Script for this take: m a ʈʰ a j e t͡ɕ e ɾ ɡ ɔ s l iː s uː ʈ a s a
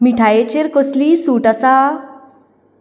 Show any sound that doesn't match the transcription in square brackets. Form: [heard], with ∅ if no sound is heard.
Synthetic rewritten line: m [i] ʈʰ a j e t͡ɕ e ɾ [k] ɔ s l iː s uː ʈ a s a